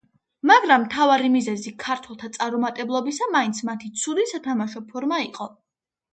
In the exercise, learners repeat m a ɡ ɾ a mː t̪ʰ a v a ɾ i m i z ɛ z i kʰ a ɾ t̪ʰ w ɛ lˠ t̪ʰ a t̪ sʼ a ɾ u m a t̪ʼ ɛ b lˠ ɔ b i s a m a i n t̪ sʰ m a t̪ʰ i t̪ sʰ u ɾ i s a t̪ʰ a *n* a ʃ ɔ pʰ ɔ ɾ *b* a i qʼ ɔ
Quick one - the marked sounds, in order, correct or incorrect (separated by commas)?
incorrect, incorrect